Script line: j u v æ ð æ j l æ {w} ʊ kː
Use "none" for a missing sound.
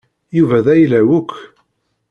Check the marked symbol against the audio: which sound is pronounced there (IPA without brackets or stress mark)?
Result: w